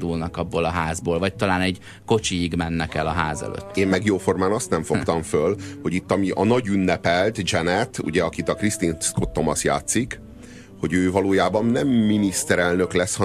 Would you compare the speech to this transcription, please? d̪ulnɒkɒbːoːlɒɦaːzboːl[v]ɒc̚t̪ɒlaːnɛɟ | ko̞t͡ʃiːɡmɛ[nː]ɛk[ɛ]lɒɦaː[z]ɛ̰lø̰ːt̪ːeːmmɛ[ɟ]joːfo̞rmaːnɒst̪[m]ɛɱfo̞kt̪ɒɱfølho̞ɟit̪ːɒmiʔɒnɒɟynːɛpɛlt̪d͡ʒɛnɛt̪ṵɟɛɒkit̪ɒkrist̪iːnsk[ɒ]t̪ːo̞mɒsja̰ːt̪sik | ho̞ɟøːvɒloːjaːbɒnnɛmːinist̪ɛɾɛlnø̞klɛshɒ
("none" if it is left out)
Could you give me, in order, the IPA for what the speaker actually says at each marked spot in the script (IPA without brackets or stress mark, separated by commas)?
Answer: v, nː, ɛ, z, ɡ, n, o